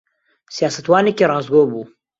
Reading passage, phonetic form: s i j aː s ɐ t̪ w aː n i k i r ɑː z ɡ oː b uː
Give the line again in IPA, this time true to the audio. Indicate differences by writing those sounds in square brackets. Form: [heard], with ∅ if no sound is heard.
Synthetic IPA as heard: s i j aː s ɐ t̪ w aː n [e] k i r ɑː z ɡ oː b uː